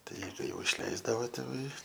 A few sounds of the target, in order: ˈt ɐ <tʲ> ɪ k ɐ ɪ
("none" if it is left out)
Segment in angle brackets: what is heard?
none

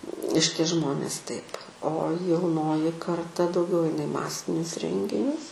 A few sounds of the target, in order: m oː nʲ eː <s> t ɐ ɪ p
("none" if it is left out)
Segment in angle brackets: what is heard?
s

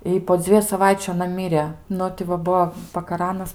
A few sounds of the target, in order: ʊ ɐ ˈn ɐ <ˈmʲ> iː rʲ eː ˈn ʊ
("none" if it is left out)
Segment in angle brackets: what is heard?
mʲ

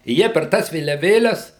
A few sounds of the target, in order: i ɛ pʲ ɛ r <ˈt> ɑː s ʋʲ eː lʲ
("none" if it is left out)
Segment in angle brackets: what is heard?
t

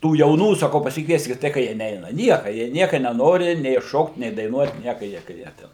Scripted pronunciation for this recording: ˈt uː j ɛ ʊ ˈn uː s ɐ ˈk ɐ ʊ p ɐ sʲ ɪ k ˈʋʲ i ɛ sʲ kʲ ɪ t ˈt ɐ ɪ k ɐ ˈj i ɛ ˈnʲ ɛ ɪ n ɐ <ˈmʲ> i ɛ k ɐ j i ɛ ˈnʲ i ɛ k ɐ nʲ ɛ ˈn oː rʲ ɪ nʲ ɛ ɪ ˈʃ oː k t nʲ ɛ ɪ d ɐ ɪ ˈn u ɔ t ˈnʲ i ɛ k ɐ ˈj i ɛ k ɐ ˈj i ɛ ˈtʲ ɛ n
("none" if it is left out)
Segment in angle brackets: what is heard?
nʲ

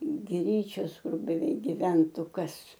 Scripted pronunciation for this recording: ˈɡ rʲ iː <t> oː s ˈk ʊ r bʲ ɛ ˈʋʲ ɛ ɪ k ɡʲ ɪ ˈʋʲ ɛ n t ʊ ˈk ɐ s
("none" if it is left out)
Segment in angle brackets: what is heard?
t͡ʃʲ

